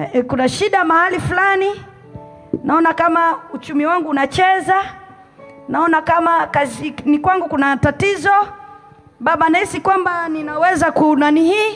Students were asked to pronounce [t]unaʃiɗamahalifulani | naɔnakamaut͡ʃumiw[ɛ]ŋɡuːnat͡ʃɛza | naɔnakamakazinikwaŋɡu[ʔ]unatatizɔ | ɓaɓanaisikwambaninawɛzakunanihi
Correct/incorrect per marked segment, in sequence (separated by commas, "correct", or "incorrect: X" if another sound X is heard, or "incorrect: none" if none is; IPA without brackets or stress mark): incorrect: k, incorrect: a, incorrect: k